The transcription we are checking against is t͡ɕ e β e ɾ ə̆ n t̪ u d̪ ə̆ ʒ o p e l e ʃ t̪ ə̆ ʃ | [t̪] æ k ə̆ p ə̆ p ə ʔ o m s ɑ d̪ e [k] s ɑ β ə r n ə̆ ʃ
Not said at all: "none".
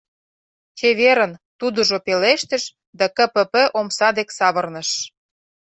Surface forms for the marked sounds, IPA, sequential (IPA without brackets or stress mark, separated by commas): d̪, k